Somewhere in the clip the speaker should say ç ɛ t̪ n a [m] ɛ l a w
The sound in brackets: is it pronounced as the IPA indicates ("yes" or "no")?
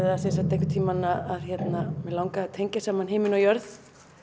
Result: yes